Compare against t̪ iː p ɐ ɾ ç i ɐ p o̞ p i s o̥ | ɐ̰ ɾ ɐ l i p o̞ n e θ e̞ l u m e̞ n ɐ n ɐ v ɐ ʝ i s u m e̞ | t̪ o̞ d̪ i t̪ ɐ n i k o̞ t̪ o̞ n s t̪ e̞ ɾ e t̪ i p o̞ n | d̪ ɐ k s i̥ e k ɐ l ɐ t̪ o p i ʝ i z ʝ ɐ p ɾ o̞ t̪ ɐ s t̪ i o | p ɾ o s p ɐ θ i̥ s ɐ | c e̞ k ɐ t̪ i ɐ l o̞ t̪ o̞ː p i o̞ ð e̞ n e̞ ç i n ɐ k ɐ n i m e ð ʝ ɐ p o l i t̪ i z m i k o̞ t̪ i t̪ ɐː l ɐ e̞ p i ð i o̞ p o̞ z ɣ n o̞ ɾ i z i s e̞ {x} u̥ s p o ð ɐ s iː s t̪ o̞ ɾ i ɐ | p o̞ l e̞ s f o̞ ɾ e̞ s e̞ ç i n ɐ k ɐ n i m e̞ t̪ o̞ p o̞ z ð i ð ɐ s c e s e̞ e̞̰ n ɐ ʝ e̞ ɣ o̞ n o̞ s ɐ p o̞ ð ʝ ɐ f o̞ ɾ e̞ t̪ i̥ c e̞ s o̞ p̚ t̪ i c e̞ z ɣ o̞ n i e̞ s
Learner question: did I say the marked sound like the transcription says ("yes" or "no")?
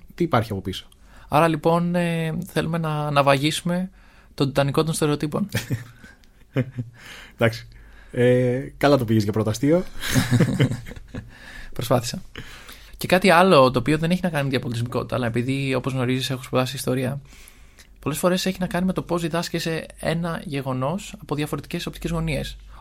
yes